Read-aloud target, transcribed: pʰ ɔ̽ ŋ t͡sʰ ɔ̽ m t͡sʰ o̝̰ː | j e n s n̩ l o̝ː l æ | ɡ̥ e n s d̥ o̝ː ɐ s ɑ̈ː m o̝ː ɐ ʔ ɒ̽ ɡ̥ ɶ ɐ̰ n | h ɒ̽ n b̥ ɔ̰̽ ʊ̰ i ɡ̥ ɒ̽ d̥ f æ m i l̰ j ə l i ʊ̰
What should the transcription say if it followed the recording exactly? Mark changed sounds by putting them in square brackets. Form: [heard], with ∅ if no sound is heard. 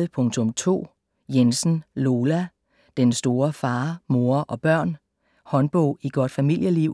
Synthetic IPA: pʰ ɔ̽ ŋ t͡sʰ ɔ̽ m t͡sʰ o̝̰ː | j e n s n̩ l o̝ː l æ | [d̥] e n s d̥ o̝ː ɐ [f] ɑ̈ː m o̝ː ɐ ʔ ɒ̽ [b̥] ɶ ɐ̰ n | h ɒ̽ n b̥ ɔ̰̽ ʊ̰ i ɡ̥ ɒ̽ d̥ f æ m i l̰ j ə l i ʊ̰